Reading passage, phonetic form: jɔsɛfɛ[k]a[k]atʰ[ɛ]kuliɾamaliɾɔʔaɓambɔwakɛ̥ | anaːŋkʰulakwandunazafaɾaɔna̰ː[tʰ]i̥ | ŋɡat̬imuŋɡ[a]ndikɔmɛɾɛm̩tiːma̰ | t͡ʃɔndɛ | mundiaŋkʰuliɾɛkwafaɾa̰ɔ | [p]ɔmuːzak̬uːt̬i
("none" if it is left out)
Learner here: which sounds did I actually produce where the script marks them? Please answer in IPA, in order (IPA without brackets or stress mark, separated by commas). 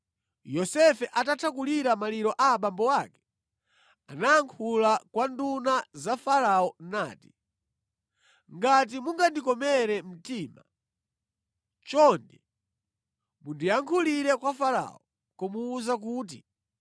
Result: ʔ, t, a, t, a, k